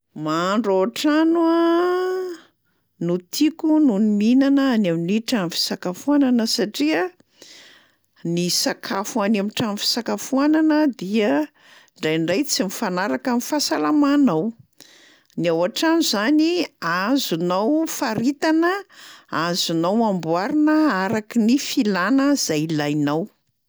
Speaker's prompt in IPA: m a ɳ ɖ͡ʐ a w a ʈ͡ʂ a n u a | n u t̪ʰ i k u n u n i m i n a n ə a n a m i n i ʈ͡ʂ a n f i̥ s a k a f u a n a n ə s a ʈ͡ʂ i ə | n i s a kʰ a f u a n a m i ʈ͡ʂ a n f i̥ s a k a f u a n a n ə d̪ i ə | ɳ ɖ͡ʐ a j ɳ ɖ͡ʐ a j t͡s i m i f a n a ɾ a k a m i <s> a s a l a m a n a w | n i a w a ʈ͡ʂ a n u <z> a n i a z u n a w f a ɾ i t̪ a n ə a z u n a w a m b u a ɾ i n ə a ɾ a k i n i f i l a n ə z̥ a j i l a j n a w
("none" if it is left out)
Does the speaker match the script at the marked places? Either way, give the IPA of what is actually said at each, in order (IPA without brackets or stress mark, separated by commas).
f, z